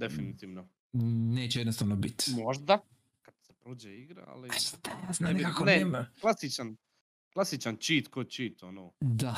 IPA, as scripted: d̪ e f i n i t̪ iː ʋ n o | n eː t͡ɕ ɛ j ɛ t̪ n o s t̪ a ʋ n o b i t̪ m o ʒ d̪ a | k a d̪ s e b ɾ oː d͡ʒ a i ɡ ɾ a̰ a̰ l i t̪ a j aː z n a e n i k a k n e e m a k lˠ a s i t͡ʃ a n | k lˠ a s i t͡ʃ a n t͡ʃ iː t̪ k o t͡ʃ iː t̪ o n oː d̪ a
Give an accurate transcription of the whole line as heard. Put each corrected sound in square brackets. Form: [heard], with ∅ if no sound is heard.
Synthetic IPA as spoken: d̪ e f i n i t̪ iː ʋ n o | n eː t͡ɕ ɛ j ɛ [d̪] n o s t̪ a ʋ n o b i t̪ m o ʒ d̪ a | k a d̪ s e [p] ɾ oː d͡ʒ [e] i ɡ ɾ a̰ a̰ l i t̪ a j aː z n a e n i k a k n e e m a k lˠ a s i t͡ʃ a n | k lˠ a s i t͡ʃ a n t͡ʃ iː t̪ k o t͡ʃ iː t̪ o n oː d̪ a